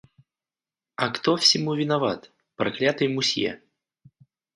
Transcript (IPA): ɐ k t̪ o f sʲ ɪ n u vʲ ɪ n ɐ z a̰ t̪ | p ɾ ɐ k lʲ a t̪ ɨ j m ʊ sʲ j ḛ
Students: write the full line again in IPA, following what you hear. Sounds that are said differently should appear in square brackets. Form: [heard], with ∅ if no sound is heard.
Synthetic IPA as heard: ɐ k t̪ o f sʲ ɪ [m] u vʲ ɪ n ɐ [v] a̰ t̪ | p ɾ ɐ k lʲ a t̪ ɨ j m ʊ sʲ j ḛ